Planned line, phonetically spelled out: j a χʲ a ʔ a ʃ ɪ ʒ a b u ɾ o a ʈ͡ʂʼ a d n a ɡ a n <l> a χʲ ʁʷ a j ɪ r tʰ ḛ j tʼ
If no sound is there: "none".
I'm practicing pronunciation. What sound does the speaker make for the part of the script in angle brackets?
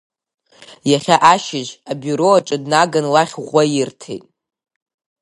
l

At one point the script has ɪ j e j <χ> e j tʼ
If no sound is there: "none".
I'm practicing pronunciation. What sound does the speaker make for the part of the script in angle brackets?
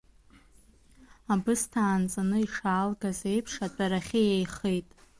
χ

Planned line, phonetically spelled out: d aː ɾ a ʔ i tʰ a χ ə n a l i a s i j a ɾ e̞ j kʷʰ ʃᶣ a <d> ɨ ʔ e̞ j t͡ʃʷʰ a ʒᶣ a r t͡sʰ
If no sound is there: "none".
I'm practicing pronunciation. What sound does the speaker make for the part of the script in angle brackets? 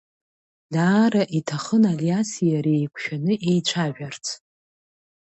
n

